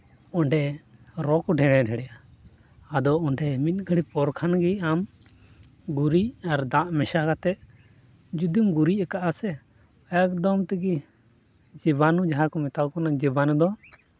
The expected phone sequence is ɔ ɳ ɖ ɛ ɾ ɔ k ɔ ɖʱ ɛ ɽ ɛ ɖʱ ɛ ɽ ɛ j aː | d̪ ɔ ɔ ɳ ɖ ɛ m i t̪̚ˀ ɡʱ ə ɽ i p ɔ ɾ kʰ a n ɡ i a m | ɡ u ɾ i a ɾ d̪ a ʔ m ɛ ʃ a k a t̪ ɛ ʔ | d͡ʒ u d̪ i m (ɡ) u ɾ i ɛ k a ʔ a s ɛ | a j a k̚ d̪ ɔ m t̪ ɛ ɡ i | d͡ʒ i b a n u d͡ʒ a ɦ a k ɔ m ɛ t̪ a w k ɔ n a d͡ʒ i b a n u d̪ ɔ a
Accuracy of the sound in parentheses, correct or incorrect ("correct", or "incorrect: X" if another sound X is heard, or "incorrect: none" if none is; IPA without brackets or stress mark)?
correct